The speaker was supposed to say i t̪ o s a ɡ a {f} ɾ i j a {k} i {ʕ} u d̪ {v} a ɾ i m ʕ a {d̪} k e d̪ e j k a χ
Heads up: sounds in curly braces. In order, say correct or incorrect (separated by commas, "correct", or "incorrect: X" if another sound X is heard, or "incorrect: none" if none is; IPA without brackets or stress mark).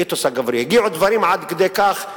incorrect: v, incorrect: ɡ, correct, correct, correct